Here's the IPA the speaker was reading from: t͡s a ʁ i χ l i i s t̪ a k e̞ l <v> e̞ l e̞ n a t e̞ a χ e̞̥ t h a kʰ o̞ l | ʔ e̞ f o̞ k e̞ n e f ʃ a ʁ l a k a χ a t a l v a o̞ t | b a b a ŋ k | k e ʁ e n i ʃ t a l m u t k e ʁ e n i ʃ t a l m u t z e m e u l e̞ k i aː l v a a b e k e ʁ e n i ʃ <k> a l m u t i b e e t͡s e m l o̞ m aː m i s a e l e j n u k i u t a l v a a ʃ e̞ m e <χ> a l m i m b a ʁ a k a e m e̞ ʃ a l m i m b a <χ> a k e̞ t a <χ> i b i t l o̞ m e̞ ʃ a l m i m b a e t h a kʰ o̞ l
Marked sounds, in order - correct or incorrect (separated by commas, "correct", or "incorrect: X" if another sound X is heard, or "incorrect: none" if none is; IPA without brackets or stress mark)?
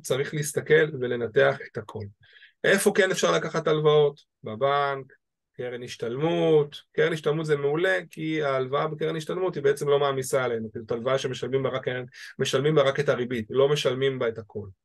correct, incorrect: t, incorrect: ʃ, incorrect: ʁ, incorrect: ʁ